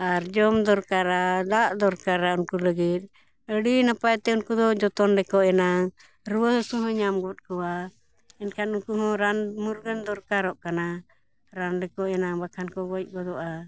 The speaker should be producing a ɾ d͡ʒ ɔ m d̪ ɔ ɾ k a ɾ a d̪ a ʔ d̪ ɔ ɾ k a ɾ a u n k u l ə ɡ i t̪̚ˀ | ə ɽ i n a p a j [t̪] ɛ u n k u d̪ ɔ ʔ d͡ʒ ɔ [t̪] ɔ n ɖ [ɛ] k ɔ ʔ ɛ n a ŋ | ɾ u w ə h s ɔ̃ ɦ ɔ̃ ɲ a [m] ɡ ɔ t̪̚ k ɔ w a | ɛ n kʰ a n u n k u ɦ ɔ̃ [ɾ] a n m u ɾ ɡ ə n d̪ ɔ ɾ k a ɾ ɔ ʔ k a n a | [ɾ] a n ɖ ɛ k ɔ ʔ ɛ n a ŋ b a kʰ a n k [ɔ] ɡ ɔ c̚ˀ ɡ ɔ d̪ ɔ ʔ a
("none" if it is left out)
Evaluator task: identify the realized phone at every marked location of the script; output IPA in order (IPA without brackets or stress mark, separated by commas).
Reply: t̪, t̪, ɛ, m, ɾ, ɾ, ɔ